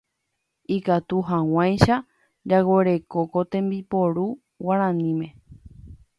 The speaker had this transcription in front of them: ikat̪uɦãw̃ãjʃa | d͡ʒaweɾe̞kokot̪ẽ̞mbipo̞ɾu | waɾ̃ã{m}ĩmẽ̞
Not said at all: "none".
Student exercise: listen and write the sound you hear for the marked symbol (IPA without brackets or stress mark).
n